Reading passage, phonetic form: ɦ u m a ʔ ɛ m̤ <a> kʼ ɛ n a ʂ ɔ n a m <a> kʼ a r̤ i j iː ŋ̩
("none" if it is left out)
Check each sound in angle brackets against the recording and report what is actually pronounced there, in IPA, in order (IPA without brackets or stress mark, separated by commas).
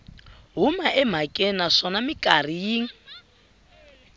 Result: a, i